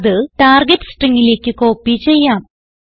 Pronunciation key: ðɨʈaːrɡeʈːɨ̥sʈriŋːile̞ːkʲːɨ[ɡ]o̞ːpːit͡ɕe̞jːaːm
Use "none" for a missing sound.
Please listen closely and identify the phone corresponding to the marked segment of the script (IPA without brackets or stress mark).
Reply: k